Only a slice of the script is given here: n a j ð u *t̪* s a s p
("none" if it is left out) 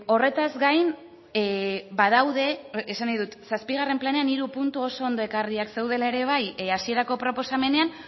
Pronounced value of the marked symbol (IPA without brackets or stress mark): t̪